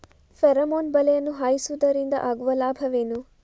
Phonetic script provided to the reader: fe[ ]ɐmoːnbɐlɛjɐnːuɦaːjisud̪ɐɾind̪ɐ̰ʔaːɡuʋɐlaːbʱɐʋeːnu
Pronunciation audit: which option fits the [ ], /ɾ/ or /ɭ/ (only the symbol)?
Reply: ɾ